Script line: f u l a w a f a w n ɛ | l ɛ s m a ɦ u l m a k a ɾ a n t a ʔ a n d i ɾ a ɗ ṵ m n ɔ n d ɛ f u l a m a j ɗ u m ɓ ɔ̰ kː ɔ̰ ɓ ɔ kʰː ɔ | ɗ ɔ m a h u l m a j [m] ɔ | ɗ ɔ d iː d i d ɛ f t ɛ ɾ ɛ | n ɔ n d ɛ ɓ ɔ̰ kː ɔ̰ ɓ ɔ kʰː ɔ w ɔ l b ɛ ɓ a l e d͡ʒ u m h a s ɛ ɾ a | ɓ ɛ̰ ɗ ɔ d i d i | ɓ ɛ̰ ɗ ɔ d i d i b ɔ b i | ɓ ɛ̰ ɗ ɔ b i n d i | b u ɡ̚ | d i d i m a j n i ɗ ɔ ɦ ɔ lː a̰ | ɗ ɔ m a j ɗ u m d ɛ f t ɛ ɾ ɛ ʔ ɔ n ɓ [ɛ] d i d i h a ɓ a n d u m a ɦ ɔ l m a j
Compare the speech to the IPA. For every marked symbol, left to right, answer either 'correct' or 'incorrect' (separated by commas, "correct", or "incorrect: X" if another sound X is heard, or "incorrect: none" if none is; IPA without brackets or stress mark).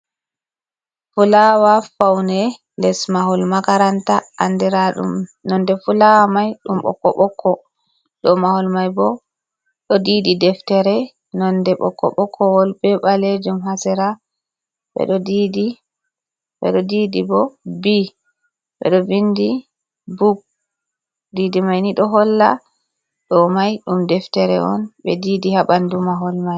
incorrect: b, correct